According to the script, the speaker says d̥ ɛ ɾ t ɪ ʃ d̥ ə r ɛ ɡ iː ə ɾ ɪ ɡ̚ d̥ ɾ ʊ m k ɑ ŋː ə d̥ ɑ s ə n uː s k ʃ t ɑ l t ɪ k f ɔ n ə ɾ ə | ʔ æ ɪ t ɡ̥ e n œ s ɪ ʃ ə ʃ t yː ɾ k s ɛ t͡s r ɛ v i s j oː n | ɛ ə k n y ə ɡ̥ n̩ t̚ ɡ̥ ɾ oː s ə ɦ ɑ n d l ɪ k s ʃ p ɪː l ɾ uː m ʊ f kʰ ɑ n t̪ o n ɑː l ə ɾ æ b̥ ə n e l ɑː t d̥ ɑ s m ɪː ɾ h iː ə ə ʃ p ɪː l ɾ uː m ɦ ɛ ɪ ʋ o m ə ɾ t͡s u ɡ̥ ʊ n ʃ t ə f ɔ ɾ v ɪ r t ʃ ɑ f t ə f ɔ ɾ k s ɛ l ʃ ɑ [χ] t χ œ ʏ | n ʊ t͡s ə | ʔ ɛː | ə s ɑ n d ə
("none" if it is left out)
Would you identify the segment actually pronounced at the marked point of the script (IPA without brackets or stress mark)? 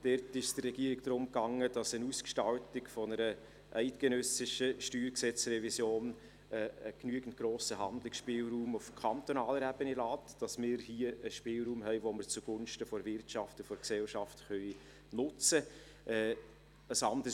f